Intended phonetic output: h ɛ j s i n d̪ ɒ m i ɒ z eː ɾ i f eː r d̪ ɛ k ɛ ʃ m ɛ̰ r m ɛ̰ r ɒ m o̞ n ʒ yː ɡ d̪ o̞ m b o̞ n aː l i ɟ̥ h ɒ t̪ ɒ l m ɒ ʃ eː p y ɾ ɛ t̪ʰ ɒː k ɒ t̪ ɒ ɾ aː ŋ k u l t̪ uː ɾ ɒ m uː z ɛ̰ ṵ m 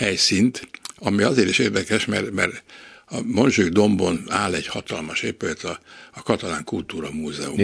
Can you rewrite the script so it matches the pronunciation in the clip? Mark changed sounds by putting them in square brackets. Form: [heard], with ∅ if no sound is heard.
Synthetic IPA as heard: h ɛ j s i n [t̪] ɒ m i ɒ z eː ɾ i [ʃ] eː r d̪ ɛ k ɛ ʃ m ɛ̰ r m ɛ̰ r ɒ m o̞ n ʒ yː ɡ d̪ o̞ m b o̞ n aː l [ɛ] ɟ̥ h ɒ t̪ ɒ l m ɒ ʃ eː p y [l] ɛ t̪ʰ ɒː k ɒ t̪ ɒ [l] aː ŋ k u l t̪ uː ɾ ɒ m uː z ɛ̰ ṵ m